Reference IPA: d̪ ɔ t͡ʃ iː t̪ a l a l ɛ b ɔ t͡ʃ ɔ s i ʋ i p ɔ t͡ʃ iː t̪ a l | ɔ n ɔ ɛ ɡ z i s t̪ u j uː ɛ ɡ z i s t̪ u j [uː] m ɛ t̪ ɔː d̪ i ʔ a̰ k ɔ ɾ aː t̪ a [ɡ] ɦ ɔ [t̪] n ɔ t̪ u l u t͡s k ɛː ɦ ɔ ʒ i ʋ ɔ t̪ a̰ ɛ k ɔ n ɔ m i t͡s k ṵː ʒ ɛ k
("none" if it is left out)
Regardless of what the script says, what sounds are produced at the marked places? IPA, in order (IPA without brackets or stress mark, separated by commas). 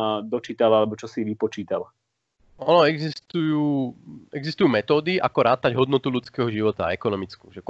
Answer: uː, ɟ, d̪